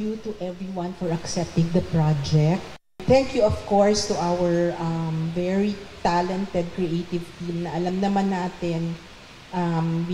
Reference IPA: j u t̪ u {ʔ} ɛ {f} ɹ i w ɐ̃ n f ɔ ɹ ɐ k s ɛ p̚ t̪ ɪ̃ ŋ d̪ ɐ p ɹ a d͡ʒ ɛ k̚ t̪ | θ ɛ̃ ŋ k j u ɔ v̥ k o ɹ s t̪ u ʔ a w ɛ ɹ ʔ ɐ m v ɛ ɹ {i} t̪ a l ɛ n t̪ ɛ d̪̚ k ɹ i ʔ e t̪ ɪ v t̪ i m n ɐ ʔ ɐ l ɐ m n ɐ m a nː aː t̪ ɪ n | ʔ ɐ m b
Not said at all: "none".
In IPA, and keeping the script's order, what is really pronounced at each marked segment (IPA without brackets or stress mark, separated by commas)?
ʔ, v, i